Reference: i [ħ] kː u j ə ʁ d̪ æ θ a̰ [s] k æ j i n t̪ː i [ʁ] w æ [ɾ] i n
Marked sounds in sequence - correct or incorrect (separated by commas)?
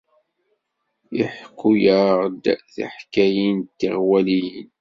correct, incorrect, correct, incorrect